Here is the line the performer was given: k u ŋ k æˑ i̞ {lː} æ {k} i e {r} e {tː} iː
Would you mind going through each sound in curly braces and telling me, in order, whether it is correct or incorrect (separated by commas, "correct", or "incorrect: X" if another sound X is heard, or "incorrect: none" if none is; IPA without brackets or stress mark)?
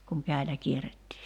incorrect: l, correct, correct, correct